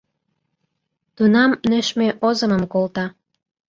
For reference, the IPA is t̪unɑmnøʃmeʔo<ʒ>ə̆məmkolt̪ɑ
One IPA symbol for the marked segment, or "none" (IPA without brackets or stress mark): z